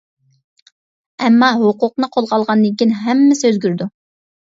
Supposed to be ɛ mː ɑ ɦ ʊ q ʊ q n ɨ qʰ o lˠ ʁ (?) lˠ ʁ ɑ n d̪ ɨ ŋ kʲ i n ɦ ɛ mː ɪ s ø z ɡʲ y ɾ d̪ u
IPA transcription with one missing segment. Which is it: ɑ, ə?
ɑ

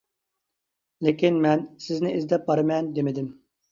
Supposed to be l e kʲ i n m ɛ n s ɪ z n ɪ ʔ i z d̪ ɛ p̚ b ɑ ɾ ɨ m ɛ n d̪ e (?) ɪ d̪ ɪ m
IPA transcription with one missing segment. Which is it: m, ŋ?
m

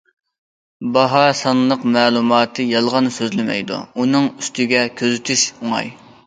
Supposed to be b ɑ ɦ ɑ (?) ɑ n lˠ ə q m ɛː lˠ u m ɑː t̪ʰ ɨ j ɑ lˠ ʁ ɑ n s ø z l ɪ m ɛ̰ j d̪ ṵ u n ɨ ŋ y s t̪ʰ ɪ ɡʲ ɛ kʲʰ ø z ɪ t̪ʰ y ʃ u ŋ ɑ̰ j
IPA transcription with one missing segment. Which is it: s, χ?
s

